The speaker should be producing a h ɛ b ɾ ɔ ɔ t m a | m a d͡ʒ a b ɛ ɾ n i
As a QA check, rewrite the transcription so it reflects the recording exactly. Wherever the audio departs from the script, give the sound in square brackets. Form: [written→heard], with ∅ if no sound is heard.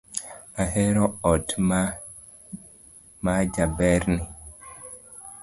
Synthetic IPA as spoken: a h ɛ [b→∅] ɾ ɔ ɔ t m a | m a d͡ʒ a b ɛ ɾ n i